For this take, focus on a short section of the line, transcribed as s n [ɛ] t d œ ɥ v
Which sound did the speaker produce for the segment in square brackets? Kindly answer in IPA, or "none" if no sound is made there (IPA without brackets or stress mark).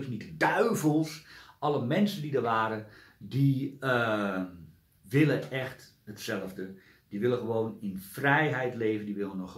i